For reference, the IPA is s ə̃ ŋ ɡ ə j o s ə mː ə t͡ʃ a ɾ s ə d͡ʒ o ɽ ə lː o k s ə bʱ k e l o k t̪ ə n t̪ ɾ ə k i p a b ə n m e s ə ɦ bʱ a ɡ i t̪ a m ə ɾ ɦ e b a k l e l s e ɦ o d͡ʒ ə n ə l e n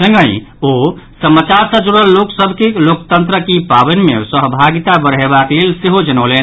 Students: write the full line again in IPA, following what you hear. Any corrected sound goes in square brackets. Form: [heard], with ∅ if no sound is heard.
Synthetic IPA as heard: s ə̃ ŋ ɡ ə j o s ə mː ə t͡ʃ a ɾ s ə d͡ʒ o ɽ ə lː o k s ə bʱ k e l o k t̪ ə n t̪ ɾ ə k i p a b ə n m e s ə ɦ bʱ a ɡ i t̪ a [b] ə ɾ ɦ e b a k l e l s e ɦ o d͡ʒ ə n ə l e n